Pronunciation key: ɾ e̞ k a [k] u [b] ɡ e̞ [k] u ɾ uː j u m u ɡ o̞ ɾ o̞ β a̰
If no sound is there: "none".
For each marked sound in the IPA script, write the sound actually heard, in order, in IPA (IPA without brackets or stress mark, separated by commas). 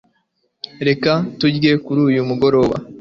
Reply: t, ɟ, k